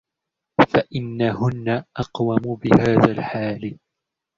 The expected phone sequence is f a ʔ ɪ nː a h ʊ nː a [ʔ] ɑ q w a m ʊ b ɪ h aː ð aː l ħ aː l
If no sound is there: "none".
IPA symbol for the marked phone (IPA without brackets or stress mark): ʔ